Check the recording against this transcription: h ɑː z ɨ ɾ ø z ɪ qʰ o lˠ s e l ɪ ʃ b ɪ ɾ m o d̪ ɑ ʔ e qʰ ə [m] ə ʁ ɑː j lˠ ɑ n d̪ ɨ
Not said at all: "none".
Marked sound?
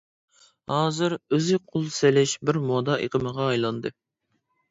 m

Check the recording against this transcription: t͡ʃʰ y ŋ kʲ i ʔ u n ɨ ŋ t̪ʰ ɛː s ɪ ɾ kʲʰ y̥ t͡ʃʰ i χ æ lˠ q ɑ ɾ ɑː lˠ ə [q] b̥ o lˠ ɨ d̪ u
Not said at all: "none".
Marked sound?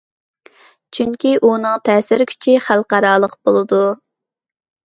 q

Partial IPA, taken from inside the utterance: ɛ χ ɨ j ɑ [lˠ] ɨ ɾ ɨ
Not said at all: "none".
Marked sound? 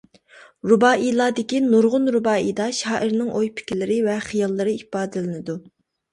lˠː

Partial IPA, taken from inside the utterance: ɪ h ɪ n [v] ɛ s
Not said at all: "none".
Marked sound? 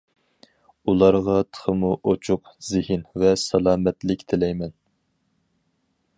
v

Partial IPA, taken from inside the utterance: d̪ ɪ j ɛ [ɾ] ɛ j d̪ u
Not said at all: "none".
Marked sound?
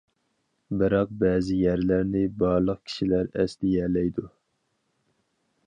l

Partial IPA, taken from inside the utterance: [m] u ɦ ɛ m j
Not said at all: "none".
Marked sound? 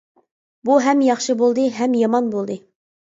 b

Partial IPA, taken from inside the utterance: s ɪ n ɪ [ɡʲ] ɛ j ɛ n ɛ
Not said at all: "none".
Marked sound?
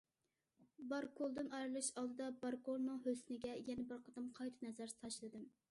ɡʲ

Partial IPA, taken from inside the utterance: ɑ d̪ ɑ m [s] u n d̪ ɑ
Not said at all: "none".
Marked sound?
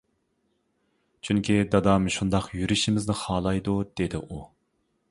ʃ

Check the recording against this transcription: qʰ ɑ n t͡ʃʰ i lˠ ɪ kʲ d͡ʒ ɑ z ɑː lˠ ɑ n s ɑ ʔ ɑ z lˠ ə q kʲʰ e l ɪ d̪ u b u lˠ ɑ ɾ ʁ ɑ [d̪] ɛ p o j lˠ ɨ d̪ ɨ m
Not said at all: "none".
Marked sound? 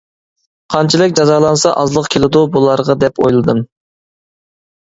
d̪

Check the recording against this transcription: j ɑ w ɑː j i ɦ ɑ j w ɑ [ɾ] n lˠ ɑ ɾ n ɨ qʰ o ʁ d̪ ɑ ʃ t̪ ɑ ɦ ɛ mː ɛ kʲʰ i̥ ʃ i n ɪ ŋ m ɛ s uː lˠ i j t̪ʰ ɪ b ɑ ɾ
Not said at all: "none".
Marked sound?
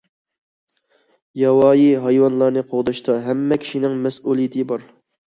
none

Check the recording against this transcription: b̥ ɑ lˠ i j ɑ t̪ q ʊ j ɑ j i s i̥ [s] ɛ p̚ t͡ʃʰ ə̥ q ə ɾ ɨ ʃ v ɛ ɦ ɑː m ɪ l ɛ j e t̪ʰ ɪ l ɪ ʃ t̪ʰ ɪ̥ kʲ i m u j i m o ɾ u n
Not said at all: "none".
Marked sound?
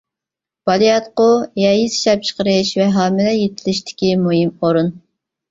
ʃ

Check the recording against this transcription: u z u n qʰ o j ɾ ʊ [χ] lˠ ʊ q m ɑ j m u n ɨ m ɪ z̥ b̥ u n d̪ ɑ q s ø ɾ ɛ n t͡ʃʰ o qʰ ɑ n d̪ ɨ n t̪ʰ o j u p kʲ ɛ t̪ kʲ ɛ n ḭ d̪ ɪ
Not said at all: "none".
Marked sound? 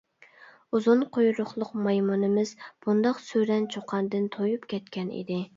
χ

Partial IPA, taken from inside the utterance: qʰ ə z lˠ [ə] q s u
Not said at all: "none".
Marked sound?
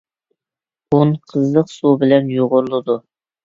ə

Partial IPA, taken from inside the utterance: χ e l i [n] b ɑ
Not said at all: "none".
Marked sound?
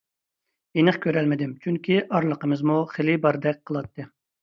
none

